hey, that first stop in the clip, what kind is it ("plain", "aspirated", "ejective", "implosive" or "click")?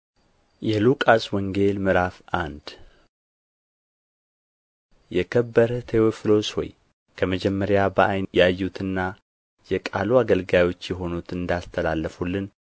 ejective